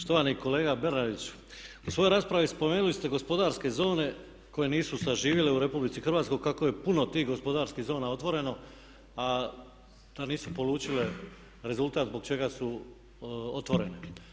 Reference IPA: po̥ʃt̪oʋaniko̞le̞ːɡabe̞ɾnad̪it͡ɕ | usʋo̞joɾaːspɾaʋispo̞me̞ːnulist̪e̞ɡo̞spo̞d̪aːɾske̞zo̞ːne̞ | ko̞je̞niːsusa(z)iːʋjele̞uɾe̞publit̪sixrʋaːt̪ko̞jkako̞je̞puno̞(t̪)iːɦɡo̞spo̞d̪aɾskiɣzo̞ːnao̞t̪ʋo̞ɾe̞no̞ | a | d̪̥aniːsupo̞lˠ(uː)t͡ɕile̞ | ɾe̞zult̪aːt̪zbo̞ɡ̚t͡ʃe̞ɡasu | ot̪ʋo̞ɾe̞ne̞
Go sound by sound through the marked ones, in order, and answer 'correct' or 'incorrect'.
incorrect, correct, correct

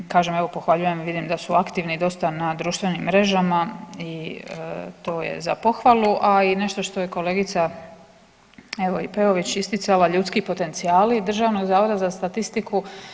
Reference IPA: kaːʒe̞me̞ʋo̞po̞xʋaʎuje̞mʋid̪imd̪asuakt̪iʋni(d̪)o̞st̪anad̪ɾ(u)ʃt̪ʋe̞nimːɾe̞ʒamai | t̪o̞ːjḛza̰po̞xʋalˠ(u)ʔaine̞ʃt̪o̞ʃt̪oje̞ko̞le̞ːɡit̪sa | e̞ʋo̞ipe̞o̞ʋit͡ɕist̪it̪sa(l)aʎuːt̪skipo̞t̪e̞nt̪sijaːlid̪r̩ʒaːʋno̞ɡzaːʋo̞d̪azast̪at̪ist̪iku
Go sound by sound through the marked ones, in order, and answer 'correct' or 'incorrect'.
correct, incorrect, correct, correct

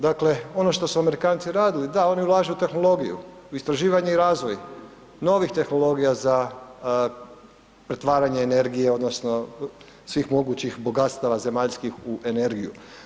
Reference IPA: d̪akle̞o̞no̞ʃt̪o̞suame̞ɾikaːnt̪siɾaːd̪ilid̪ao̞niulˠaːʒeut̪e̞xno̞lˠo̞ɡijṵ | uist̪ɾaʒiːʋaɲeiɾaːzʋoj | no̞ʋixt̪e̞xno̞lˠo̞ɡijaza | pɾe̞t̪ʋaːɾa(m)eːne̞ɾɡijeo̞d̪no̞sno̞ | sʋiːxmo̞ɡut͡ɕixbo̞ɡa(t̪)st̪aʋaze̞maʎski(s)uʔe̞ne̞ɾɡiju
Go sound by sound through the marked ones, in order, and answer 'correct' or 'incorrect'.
incorrect, correct, incorrect

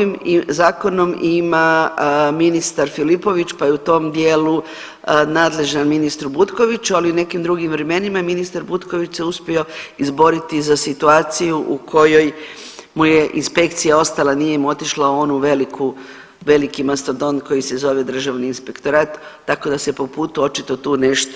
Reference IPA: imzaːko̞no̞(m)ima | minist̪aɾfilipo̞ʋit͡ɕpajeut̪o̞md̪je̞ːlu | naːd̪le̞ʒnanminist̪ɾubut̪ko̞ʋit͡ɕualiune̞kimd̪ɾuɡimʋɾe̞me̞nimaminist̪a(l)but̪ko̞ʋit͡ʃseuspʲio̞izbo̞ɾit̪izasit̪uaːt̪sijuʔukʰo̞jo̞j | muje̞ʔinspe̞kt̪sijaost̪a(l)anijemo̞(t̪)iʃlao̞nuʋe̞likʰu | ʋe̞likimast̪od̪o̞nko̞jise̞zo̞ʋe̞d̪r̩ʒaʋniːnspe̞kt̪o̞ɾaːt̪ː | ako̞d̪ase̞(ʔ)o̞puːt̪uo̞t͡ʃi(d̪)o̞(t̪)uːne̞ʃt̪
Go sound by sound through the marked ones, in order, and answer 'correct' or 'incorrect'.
correct, incorrect, correct, correct, incorrect, incorrect, correct

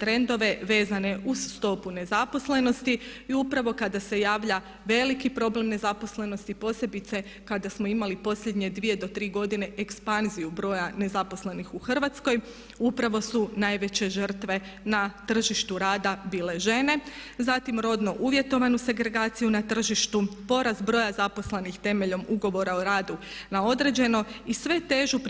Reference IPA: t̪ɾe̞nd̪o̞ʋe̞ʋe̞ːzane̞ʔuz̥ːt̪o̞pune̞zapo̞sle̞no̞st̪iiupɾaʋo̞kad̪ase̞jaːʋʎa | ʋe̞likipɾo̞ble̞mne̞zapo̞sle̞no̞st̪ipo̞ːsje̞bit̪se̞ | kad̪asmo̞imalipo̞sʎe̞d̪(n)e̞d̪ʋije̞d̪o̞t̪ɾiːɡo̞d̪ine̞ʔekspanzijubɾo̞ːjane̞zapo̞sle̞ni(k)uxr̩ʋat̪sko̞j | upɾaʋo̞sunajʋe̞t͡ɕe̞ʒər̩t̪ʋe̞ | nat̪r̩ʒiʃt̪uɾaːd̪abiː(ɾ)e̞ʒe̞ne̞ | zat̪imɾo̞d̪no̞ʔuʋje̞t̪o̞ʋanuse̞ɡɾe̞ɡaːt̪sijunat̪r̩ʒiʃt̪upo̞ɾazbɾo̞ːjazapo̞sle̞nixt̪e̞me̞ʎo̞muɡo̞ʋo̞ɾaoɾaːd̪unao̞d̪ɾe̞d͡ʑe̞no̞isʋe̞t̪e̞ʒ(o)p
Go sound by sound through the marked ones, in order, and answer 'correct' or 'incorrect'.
incorrect, incorrect, incorrect, incorrect

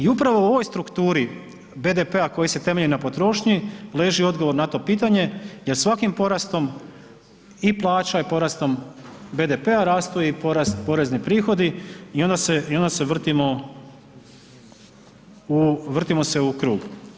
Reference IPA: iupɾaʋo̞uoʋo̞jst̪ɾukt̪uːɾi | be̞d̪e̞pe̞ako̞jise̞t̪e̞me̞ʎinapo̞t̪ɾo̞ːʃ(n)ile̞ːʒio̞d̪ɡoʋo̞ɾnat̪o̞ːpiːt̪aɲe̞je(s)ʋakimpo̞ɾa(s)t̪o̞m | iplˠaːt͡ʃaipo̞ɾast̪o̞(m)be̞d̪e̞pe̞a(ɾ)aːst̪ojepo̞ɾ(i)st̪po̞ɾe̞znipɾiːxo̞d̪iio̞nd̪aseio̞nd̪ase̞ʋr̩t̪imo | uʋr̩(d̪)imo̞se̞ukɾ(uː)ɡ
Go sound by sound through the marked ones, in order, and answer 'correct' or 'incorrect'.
incorrect, correct, correct, correct, correct, incorrect, incorrect, correct

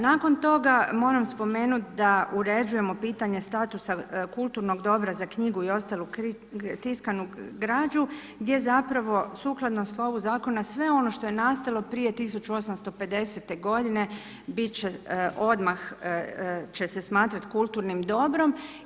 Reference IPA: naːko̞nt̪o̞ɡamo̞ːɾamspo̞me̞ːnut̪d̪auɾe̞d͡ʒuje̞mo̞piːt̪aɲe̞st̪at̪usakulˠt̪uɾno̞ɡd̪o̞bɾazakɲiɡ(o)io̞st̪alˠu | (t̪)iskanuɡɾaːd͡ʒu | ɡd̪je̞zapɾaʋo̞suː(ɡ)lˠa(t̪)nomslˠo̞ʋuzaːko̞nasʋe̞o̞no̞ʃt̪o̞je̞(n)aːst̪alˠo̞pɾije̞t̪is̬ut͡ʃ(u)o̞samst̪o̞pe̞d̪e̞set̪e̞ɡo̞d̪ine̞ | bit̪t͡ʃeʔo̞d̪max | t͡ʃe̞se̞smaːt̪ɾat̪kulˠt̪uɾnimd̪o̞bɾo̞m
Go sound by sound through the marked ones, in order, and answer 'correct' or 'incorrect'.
incorrect, correct, incorrect, incorrect, correct, correct

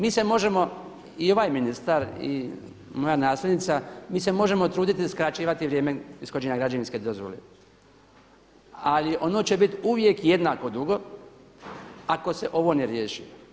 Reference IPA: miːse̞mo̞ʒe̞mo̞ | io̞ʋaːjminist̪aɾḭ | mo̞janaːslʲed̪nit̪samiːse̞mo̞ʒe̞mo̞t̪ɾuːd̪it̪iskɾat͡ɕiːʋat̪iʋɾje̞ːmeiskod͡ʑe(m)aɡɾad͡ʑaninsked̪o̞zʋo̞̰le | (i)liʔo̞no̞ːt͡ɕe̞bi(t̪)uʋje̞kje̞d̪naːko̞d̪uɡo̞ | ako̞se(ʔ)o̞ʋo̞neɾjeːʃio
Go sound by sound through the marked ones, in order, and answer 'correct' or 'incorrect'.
incorrect, incorrect, correct, correct

